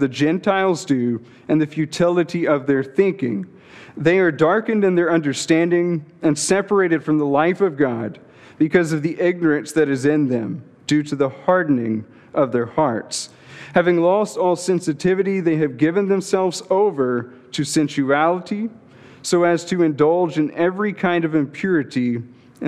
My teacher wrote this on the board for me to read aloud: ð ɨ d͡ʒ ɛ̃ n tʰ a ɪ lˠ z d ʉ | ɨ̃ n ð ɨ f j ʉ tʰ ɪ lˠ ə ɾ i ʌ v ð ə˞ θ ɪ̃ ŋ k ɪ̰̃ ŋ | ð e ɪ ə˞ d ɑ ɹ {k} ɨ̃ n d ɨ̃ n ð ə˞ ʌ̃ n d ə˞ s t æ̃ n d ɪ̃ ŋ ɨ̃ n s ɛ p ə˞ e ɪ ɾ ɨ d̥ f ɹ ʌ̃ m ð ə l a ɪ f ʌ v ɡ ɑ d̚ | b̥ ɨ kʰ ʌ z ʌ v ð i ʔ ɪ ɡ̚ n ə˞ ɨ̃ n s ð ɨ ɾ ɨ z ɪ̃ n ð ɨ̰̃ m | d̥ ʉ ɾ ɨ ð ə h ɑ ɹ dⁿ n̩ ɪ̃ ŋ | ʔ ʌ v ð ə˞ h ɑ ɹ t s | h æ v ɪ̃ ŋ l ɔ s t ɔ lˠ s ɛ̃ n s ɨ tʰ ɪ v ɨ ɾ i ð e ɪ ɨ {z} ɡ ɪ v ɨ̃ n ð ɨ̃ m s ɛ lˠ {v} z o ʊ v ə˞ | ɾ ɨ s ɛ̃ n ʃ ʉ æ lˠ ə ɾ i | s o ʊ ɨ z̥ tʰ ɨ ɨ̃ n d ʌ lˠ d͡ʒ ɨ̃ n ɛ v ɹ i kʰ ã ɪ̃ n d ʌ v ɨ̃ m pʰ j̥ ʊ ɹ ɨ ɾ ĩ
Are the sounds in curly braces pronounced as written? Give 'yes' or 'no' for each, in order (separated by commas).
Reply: yes, no, yes